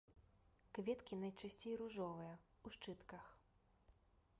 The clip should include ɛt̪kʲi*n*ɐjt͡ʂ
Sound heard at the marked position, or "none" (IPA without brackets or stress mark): n